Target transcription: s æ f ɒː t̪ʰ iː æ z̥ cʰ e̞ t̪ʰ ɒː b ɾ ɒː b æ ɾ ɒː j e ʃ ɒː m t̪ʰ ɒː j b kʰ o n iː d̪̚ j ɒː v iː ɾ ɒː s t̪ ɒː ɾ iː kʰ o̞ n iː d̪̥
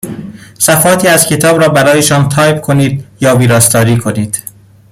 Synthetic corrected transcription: s æ f ɒː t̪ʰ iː æ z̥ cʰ e̞ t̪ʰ ɒː b ɾ ɒː b æ ɾ ɒː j e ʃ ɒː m t̪ʰ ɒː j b kʰ o n iː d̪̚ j ɒː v iː ɾ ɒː s t̪ ɒː ɾ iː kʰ o̞ n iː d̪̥

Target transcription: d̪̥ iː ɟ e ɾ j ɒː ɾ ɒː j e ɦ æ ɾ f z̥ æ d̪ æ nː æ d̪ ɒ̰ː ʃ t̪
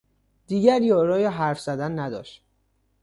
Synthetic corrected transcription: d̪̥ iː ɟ æ ɾ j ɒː ɾ ɒː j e ɦ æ ɾ f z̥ æ d̪ æ nː æ d̪ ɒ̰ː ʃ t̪

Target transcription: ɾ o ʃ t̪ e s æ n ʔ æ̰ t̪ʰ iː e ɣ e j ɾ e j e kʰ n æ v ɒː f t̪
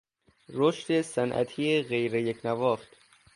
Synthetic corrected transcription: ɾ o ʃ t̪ e s æ n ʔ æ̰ t̪ʰ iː e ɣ e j ɾ e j e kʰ n æ v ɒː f t̪

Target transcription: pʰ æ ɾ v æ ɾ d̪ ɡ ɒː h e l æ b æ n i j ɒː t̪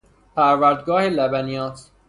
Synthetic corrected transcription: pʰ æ ɾ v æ ɾ d̪ ɡ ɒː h e l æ b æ n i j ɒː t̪

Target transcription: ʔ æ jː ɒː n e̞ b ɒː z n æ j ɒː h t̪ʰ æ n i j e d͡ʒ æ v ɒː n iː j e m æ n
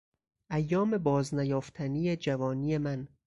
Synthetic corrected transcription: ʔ æ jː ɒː m e̞ b ɒː z n æ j ɒː f t̪ʰ æ n i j e d͡ʒ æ v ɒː n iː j e m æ n

